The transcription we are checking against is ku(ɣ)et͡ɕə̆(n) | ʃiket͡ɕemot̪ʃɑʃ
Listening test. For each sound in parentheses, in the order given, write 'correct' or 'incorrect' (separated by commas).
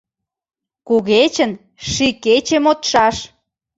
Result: correct, correct